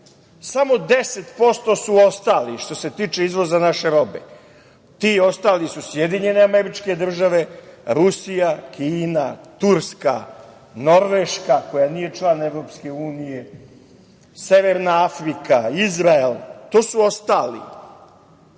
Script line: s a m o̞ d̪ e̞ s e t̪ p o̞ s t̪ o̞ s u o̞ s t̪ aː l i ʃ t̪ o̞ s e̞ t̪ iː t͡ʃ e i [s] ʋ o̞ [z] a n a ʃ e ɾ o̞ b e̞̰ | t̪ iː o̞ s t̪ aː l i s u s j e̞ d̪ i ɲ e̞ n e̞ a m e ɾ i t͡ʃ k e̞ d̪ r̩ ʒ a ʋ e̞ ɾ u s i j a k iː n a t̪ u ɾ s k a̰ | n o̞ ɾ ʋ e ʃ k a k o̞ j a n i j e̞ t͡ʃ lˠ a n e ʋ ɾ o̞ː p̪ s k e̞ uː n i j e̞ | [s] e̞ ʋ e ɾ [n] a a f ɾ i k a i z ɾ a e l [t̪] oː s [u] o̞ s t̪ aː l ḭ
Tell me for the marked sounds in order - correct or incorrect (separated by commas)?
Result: incorrect, correct, correct, correct, correct, correct